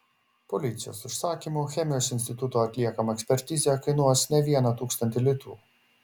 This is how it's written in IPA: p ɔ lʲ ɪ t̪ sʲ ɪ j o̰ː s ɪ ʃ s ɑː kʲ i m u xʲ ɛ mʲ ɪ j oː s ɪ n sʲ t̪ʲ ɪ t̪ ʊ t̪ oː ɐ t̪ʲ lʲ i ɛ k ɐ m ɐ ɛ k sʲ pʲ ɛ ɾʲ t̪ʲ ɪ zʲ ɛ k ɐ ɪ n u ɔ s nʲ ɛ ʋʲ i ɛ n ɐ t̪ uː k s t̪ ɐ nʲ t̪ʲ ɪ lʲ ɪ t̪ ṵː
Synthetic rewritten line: p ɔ lʲ ɪ t̪ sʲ ɪ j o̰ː s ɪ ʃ s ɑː kʲ i m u xʲ ɛ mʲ ɪ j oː s ɪ n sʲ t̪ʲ ɪ t̪ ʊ t̪ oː ɐ t̪ʲ lʲ i ɛ k ɐ m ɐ ɛ k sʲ pʲ ɛ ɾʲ t̪ʲ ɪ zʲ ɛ k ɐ ɪ n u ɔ s nʲ ɛ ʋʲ i ɛ n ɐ t̪ uː k s t̪ ɐ nʲ t̪ʲ ɪ lʲ ɪ t̪ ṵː